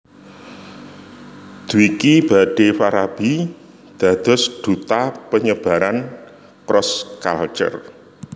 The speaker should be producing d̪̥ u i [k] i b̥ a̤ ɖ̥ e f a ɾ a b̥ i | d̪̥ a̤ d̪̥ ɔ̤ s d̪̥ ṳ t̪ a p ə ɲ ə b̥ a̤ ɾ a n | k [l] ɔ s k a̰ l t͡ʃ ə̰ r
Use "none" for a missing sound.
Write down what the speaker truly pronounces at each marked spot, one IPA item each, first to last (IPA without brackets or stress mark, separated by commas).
k, ɾ